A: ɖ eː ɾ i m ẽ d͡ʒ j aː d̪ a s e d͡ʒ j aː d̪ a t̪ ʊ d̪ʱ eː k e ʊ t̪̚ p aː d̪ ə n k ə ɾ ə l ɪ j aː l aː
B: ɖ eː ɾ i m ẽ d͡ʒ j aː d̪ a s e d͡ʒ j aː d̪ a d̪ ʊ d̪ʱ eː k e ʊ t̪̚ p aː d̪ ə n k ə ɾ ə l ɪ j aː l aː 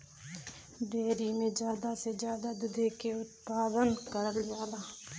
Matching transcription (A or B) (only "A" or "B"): B